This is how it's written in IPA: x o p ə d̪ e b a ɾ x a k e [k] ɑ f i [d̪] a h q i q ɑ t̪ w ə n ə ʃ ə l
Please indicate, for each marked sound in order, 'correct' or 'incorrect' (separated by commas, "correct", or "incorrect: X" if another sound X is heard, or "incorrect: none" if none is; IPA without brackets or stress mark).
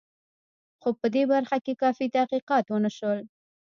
correct, incorrect: t̪